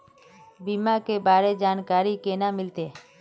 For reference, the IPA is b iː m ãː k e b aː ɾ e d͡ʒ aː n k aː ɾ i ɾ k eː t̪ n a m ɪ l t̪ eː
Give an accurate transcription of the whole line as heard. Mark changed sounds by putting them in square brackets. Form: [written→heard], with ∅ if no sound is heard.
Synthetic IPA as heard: b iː m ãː k e b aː ɾ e d͡ʒ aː n k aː ɾ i [ɾ→∅] k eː [t̪→∅] n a m ɪ l t̪ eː